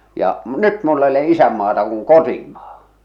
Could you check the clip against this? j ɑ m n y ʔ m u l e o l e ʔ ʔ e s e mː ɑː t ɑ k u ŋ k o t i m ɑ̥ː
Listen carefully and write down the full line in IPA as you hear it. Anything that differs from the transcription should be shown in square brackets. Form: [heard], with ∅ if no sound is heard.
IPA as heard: j ɑ m n y [t] m u [lː] e o l e ʔ ʔ [i] s [æ] mː ɑː t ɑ k u ŋ k o t i m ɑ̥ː